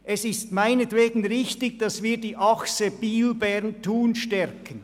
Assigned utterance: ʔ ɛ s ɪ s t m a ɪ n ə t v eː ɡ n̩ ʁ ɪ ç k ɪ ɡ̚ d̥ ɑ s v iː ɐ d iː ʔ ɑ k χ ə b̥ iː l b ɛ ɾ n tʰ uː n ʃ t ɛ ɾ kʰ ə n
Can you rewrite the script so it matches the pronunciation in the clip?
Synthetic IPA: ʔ ɛ s ɪ s t m a ɪ n ə t v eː ɡ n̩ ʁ ɪ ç t ɪ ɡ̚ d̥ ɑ s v iː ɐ d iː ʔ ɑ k s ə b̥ iː l b ɛ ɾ n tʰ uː n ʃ t ɛ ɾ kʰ ə n